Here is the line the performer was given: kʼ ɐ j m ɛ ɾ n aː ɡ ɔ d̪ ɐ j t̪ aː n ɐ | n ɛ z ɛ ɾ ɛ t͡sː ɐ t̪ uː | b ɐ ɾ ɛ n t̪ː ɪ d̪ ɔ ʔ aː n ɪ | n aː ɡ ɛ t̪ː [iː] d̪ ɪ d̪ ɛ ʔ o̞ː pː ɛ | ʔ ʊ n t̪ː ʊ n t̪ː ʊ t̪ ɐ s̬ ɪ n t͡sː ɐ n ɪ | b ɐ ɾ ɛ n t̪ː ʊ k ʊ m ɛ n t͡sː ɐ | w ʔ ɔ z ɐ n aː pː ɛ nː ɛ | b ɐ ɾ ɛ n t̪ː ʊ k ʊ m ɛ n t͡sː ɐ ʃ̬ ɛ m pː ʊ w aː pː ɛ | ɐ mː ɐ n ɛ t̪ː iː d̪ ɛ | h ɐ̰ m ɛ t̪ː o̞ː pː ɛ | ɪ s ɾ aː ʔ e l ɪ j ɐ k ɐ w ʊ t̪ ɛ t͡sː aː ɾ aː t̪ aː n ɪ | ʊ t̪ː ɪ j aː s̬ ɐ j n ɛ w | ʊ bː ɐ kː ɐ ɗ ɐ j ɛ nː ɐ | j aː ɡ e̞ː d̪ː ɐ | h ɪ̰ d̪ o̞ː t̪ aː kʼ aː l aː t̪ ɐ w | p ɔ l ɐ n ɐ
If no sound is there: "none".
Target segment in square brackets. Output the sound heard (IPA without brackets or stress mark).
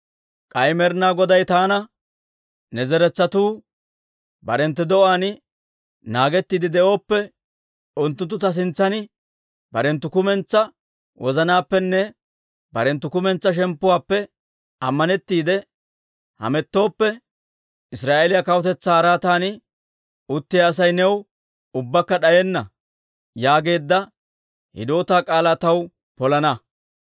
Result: iː